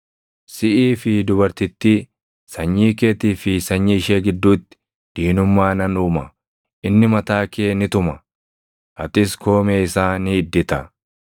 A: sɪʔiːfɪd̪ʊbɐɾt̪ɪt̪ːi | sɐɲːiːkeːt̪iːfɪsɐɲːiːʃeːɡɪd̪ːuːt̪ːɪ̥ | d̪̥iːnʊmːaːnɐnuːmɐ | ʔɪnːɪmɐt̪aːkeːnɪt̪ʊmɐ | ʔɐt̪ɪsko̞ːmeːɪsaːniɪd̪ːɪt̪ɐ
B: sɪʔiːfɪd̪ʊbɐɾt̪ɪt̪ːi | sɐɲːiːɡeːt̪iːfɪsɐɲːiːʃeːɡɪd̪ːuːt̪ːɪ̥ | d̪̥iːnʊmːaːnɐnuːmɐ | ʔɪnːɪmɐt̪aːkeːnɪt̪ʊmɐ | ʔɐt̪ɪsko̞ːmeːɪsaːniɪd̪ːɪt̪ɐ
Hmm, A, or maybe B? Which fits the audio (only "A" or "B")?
A